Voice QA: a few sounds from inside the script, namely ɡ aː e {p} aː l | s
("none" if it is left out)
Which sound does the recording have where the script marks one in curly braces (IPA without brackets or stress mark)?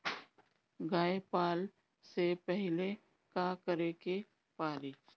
p